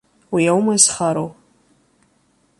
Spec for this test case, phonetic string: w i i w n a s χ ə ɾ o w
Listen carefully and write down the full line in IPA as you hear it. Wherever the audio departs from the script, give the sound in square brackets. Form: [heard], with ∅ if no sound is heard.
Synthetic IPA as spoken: w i [a] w [m] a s χ [a] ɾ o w